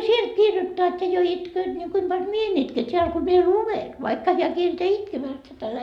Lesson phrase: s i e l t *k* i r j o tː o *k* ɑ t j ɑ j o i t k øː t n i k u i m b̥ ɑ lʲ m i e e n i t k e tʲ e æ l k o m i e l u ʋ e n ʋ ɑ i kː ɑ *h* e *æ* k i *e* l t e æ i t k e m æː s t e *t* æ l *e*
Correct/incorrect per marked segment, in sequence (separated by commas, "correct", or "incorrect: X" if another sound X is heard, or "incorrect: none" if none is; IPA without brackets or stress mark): correct, incorrect: none, correct, correct, correct, correct, incorrect: æ